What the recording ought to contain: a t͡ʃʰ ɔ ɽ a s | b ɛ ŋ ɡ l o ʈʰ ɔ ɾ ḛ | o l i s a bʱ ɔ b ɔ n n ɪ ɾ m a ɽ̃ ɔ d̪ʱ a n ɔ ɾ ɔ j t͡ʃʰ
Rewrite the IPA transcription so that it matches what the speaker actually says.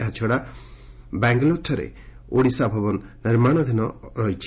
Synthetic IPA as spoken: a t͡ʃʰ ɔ ɽ a | b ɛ ŋ ɡ l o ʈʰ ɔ ɾ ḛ | o ɽ i s a bʱ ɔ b ɔ n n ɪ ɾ m a ɽ̃ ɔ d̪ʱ i n ɔ ɾ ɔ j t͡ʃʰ